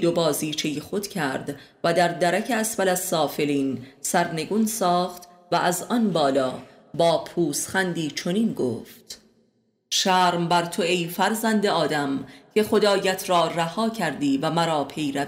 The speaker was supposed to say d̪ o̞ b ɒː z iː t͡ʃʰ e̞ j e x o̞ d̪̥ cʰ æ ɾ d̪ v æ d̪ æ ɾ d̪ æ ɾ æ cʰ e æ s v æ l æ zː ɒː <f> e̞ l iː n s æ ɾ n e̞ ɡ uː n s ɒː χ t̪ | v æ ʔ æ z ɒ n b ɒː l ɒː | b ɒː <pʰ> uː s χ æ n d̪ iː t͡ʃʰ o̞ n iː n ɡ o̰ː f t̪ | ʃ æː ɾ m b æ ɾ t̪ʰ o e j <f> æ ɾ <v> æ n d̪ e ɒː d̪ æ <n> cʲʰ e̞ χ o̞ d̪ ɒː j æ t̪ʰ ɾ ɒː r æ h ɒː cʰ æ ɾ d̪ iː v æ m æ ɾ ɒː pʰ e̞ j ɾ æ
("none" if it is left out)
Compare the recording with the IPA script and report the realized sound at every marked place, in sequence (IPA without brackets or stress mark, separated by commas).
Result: f, pʰ, f, z, m